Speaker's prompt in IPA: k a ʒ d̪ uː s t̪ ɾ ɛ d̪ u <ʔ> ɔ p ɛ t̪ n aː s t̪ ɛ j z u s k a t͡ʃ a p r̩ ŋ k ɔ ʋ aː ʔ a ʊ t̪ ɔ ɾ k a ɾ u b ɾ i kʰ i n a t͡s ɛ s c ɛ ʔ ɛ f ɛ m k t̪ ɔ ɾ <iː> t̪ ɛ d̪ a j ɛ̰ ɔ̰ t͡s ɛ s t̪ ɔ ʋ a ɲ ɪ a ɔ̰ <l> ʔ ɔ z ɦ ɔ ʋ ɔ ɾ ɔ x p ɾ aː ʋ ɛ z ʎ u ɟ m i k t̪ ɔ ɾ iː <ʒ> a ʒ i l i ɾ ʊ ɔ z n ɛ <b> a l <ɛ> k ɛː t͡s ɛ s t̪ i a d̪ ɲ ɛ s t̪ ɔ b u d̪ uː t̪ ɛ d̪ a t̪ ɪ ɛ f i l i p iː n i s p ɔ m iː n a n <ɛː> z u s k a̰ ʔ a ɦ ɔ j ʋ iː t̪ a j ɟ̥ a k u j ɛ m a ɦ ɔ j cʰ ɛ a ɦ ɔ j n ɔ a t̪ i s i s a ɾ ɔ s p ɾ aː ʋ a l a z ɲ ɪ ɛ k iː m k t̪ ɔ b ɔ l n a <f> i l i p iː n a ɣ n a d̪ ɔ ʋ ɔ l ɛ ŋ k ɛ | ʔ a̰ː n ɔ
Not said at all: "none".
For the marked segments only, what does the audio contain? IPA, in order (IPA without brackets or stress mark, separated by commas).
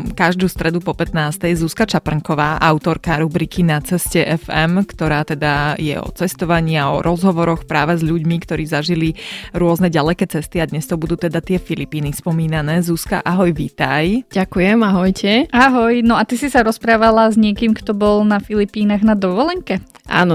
p, aː, ɾ, z, ɟ, ɛ, ɛː, f